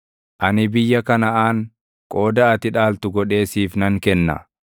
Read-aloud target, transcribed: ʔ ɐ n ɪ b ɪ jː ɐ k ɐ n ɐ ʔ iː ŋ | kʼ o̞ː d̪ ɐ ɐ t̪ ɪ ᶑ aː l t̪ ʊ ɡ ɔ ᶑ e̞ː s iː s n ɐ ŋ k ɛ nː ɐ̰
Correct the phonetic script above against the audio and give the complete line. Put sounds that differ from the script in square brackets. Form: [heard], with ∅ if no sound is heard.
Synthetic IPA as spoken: ʔ ɐ n ɪ b ɪ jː ɐ k ɐ n ɐ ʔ [aː] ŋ | kʼ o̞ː d̪ ɐ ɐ t̪ ɪ ᶑ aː l t̪ ʊ ɡ ɔ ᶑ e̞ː s iː [f] n ɐ ŋ k ɛ nː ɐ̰